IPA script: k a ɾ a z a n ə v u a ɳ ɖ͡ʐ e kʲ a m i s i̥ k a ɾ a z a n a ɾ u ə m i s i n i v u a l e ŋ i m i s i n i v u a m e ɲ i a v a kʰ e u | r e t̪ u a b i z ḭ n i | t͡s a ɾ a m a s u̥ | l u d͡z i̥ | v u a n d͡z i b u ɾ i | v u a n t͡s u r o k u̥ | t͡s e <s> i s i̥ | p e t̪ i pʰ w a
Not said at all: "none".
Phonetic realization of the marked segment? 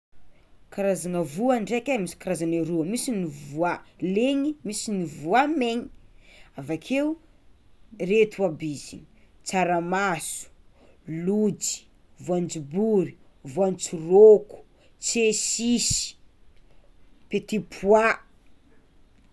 s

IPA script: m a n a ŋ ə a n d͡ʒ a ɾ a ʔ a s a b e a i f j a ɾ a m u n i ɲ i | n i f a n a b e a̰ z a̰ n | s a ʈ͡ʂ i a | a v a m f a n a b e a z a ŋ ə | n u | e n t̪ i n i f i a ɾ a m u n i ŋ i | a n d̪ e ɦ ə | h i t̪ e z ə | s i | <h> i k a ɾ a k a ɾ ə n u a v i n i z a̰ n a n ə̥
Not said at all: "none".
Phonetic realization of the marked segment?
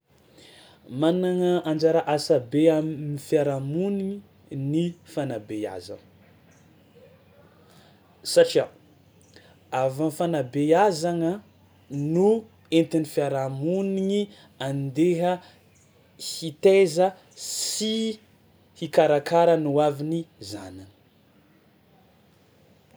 h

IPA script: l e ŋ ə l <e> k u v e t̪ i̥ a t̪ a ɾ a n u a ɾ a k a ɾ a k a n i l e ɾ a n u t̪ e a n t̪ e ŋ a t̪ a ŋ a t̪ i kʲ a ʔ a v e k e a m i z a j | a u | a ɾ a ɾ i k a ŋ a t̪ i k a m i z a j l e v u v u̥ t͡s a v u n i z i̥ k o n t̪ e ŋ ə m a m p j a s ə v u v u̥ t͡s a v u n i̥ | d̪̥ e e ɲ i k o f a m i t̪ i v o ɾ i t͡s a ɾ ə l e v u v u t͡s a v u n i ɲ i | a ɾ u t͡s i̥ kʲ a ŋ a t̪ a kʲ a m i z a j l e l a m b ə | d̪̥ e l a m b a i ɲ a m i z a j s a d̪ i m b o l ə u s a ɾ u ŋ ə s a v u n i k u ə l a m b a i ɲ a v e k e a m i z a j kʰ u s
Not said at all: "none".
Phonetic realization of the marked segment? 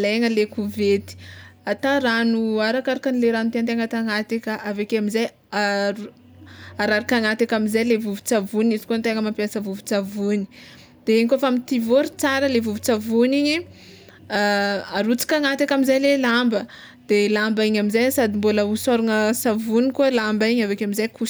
e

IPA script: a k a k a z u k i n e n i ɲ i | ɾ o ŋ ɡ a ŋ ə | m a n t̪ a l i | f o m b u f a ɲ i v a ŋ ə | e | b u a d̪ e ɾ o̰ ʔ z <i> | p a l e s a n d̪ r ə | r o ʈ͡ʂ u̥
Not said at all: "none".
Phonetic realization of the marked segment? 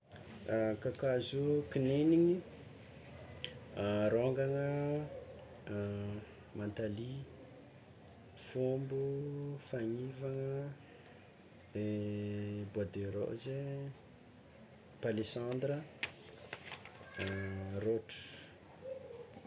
e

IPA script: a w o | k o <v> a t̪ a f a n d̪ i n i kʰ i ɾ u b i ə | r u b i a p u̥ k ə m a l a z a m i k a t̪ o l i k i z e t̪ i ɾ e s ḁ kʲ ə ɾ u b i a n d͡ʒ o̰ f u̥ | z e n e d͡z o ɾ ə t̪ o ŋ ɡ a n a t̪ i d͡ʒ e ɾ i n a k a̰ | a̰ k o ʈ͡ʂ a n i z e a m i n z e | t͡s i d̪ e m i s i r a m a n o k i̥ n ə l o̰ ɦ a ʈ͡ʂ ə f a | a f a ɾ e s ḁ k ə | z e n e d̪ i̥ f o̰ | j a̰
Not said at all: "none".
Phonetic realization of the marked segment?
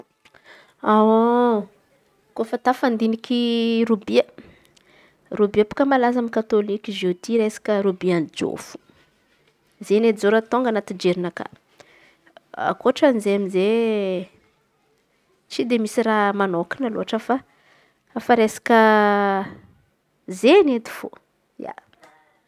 f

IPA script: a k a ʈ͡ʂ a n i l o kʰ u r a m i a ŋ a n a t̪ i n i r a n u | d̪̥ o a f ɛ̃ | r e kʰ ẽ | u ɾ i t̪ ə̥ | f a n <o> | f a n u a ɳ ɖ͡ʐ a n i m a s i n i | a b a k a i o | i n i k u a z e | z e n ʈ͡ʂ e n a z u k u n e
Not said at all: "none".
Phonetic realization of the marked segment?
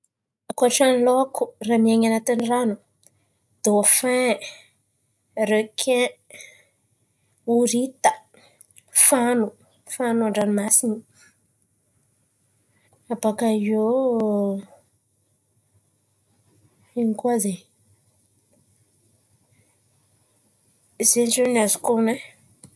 u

